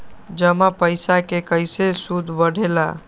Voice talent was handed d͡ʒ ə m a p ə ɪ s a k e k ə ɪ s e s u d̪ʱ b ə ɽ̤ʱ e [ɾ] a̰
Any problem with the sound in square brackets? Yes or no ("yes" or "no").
yes